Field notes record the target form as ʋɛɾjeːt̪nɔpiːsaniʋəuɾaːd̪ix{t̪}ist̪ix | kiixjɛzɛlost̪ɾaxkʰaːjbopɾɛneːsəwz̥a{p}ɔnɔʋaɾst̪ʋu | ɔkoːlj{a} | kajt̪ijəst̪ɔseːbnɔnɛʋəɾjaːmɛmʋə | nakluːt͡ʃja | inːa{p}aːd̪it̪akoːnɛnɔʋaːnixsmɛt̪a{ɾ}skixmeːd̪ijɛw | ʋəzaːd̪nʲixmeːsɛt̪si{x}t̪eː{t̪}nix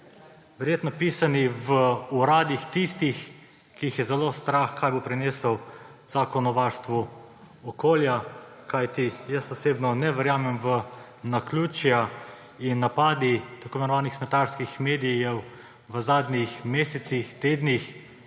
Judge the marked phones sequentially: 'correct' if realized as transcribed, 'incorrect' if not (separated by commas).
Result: correct, incorrect, correct, correct, correct, correct, incorrect